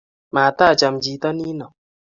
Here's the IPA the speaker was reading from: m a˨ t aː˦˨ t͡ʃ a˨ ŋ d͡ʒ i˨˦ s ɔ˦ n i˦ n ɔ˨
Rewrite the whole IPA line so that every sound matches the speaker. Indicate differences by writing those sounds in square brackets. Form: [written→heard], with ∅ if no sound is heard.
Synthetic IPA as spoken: m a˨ t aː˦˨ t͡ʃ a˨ [ŋ→m] d͡ʒ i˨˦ [s→t] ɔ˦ n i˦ n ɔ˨

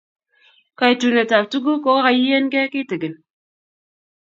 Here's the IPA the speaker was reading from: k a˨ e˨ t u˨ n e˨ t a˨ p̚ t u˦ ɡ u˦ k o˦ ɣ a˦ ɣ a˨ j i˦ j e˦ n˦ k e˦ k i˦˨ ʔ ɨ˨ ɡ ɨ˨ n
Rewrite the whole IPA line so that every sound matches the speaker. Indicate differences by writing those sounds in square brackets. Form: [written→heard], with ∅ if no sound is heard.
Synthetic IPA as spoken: k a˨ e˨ t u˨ n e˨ t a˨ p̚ t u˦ ɡ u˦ k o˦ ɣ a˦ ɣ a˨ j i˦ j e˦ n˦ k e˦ k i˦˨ [ʔ→t] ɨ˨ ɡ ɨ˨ n

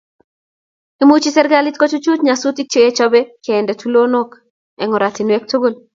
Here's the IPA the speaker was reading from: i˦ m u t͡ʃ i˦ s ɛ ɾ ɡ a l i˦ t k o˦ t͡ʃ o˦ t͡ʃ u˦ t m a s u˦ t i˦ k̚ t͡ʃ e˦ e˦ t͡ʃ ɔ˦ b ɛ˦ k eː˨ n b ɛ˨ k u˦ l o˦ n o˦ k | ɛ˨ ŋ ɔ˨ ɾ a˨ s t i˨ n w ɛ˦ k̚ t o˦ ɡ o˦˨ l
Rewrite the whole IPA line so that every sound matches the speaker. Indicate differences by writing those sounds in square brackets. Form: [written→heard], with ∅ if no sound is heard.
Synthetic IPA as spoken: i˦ m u t͡ʃ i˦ s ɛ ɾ ɡ a l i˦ t k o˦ t͡ʃ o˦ t͡ʃ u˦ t [m→ɲ] a s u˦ t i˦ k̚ t͡ʃ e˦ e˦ t͡ʃ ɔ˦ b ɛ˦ k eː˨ n [b→d] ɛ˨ [k→t] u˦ l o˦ n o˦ k | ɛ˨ ŋ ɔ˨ ɾ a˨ [s→∅] t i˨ n w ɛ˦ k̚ t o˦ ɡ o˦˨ l

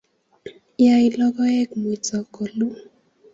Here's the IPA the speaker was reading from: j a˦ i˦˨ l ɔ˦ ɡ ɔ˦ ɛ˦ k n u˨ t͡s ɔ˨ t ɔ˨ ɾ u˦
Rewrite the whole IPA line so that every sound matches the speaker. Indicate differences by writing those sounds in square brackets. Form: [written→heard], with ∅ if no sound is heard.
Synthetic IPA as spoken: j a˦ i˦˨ l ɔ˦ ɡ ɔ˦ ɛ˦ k [n→m] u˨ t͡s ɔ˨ [t→k] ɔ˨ [ɾ→l] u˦

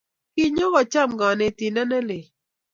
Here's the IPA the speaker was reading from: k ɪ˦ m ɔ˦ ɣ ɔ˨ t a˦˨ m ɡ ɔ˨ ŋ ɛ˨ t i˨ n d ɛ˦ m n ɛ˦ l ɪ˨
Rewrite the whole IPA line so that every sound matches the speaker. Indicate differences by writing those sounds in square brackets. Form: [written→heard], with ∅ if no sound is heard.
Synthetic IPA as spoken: k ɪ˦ [m→ɲ] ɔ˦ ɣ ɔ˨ [t→t͡ʃ] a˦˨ m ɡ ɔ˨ [ŋ→n] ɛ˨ t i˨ n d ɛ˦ [m→∅] n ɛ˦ l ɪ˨

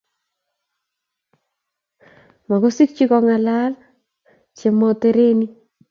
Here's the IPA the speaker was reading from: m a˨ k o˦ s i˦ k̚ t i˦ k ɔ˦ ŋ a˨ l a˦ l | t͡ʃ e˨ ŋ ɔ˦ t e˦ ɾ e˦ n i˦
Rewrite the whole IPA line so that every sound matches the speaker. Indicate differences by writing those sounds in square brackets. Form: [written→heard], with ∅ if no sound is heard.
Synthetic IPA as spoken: m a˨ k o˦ s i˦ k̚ [t→t͡ʃ] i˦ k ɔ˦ ŋ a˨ l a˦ l | t͡ʃ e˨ [ŋ→m] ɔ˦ t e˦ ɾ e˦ n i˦

